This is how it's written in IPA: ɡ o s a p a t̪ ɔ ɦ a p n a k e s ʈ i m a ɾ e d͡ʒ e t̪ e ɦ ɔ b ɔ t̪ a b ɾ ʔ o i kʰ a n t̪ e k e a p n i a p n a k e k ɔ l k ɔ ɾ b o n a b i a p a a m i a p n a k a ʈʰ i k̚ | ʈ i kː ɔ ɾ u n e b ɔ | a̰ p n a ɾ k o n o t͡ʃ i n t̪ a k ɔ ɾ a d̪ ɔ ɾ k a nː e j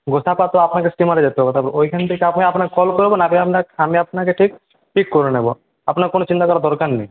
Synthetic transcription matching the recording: ɡ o s a p a t̪ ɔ a p n a k e s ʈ i m a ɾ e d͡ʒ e t̪ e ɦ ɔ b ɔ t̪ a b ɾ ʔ o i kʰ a n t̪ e k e a p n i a p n a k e k ɔ l k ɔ ɾ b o n a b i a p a a m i a p n a k e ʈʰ i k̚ | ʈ i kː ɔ ɾ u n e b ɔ | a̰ p n a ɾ k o n o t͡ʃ i n t̪ a k ɔ ɾ a d̪ ɔ ɾ k a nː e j